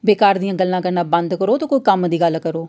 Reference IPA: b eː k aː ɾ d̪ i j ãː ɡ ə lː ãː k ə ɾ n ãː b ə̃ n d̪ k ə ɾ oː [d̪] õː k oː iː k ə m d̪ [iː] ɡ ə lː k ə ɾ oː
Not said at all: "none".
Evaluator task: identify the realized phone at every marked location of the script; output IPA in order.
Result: t̪, iː

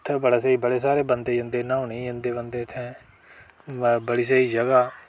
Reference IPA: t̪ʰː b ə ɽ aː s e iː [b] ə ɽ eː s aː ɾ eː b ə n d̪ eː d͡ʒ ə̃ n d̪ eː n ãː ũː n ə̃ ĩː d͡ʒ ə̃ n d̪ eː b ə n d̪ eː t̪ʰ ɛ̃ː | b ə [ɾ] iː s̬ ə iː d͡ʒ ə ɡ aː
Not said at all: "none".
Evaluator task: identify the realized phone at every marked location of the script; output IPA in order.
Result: b, ɽ

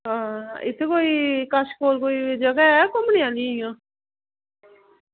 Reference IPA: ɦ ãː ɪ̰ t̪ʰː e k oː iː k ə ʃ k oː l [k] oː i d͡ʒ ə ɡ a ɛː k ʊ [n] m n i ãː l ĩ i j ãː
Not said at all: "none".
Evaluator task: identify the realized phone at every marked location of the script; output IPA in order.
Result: k, none

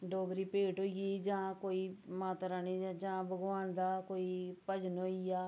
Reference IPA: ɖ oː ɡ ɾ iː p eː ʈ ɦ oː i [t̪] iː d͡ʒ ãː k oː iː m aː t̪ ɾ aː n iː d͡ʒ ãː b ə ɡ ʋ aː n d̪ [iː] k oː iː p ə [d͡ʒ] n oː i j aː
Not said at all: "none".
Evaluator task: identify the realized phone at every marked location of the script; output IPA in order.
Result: none, aː, d͡ʒ

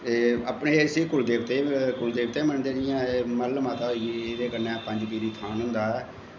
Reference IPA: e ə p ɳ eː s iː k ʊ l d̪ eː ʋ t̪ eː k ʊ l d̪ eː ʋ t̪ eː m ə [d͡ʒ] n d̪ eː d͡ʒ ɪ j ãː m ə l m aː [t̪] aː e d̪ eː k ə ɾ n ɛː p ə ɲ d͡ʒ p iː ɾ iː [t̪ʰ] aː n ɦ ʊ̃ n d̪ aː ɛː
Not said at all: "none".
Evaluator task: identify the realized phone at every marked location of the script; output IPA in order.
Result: none, t̪, t̪ʰ

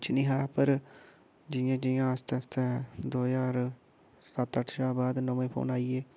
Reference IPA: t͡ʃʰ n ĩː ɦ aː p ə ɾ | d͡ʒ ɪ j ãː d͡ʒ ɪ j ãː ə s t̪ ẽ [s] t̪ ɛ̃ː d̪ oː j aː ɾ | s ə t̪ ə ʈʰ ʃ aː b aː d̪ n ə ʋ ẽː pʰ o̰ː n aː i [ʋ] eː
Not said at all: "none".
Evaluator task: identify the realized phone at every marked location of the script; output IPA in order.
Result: s, none

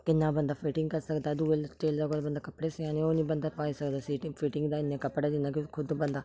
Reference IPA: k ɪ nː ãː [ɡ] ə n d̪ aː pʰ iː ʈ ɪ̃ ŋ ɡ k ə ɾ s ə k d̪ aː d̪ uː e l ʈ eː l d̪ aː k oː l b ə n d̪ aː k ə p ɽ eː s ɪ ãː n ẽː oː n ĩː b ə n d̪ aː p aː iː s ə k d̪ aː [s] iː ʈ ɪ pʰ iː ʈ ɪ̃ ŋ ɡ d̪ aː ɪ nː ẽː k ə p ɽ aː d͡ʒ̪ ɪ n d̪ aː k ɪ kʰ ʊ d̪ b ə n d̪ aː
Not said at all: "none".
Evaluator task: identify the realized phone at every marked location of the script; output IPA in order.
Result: b, s

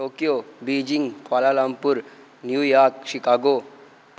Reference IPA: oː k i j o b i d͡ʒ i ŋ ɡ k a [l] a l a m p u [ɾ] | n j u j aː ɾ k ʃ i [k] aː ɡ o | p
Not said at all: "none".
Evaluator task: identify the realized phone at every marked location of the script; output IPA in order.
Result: l, ɾ, k

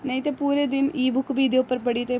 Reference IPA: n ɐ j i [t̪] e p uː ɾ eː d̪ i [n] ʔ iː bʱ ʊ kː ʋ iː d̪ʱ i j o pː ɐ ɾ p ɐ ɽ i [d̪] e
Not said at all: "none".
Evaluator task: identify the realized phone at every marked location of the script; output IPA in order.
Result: t̪, n, t̪

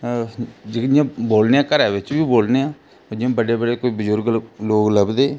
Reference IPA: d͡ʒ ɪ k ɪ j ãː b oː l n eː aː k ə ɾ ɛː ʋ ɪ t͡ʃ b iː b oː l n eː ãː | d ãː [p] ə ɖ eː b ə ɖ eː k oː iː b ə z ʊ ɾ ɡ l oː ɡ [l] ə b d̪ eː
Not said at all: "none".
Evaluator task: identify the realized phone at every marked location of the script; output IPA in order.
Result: b, l

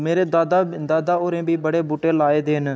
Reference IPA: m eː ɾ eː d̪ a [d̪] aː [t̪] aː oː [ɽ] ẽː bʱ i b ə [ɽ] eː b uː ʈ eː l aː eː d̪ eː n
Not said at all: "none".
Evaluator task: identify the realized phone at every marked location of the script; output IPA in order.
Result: d̪, d̪, ɾ, ɽ

